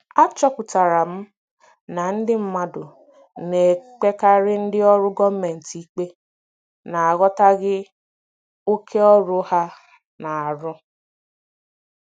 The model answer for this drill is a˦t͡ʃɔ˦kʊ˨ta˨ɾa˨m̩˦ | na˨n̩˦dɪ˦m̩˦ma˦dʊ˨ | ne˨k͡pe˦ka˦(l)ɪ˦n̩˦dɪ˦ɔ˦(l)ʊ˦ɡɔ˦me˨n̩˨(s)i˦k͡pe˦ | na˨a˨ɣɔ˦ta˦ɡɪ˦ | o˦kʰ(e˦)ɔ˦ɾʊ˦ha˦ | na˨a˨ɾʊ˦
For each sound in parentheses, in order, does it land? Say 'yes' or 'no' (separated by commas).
no, no, no, yes